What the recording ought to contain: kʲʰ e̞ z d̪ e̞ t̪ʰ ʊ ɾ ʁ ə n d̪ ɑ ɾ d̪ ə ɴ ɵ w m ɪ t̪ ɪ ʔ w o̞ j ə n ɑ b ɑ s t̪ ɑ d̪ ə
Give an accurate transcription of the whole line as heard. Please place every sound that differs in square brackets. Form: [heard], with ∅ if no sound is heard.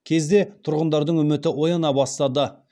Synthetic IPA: kʲʰ e̞ z d̪ e̞ t̪ʰ ʊ ɾ ʁ ə n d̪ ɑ ɾ d̪ ə ɴ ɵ [∅] m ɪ t̪ ɪ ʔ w o̞ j [ɑ] n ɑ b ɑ s t̪ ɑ d̪ ə